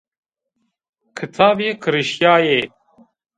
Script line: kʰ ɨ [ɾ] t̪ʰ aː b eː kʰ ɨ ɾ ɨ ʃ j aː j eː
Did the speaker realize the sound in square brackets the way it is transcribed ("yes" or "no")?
no